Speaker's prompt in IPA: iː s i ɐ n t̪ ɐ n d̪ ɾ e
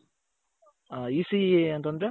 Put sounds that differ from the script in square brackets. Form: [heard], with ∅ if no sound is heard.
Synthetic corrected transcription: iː s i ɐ n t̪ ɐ n d̪ ɾ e

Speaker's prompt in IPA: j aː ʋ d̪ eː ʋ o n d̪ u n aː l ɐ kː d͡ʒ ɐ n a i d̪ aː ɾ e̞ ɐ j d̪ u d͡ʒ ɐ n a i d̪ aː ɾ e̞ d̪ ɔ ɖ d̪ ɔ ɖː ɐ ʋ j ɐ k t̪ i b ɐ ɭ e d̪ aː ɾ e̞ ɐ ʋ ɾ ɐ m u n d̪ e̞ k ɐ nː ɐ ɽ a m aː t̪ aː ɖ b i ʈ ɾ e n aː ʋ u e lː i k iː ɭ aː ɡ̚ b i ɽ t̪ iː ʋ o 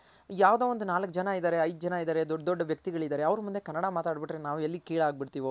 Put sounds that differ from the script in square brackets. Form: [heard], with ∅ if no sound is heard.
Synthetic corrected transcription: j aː ʋ d̪ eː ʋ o n d̪ u n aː l ɐ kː d͡ʒ ɐ n a i d̪ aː ɾ e̞ ɐ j d̪ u d͡ʒ ɐ n a i d̪ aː ɾ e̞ d̪ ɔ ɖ d̪ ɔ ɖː ɐ ʋ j ɐ k t̪ i [ɡ] ɐ ɭ [i] d̪ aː ɾ e̞ ɐ ʋ ɾ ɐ m u n d̪ e̞ k ɐ nː ɐ ɽ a m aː t̪ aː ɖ b i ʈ ɾ e n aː ʋ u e lː i k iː ɭ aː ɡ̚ b i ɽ t̪ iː ʋ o

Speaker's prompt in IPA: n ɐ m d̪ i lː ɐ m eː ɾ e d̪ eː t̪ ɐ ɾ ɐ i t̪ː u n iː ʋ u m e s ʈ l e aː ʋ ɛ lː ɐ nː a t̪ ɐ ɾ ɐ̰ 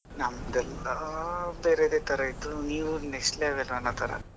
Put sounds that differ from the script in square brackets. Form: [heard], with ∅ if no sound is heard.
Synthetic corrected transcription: n ɐ m d̪ [ɛ] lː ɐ [b] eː ɾ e d̪ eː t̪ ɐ ɾ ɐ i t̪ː u n iː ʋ u [n] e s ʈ l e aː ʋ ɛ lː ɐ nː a t̪ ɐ ɾ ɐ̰

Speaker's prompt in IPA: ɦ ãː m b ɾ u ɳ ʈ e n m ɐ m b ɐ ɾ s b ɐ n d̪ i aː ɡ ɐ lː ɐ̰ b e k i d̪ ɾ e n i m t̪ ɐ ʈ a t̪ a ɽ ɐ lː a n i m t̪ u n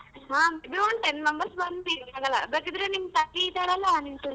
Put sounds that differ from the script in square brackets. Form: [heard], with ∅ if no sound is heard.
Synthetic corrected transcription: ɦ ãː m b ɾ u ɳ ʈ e n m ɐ m b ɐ ɾ s b ɐ n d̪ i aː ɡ ɐ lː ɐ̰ b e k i d̪ ɾ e n i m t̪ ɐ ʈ [i] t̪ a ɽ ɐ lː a n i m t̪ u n

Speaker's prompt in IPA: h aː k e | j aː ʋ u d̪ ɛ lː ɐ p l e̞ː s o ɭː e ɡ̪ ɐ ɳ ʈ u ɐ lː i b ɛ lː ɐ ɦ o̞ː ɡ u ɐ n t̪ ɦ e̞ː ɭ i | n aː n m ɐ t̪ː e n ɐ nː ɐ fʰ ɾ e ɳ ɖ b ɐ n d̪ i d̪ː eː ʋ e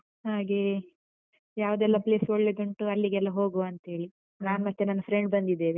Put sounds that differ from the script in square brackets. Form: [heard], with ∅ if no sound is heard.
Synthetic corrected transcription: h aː [ɡ] e | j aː ʋ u d̪ ɛ lː ɐ p l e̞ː s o ɭː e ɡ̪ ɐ ɳ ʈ u ɐ lː i [ɡ] ɛ lː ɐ ɦ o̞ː ɡ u ɐ n t̪ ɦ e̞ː ɭ i | n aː n m ɐ t̪ː e n ɐ nː ɐ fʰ ɾ e ɳ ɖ b ɐ n d̪ i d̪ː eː ʋ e

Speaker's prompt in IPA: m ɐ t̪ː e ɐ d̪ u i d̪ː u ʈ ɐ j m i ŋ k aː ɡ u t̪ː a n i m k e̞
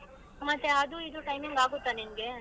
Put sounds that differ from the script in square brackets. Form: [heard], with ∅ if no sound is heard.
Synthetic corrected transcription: m ɐ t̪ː e ɐ d̪ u i [d̪] u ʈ ɐ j m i ŋ [ɡ] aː ɡ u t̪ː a n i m [ɡ] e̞

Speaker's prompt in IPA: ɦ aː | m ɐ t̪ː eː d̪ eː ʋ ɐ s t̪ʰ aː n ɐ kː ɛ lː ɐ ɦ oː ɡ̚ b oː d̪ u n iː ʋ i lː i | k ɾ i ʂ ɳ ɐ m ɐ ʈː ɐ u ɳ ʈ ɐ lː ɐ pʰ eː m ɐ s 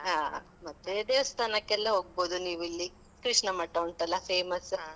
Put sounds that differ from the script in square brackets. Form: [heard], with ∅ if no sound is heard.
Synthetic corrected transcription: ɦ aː | m ɐ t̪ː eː d̪ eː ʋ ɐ s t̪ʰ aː n ɐ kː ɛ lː ɐ ɦ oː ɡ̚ b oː d̪ u n iː ʋ i lː i | k ɾ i ʂ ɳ ɐ m ɐ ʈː ɐ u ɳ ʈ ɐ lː ɐ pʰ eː m ɐ s

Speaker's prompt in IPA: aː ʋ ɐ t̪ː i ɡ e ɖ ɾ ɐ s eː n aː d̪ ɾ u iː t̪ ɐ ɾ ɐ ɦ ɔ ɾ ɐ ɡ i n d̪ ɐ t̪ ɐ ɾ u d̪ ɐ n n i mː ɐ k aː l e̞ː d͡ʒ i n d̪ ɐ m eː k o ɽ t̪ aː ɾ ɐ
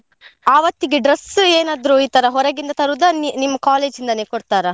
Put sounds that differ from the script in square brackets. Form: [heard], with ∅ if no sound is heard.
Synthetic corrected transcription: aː ʋ ɐ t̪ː i ɡ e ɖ ɾ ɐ s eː n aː d̪ ɾ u iː t̪ ɐ ɾ ɐ ɦ ɔ ɾ ɐ ɡ i n d̪ ɐ t̪ ɐ ɾ u d̪ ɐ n n i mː ɐ k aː l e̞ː d͡ʒ i n d̪ ɐ [n] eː k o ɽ t̪ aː ɾ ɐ

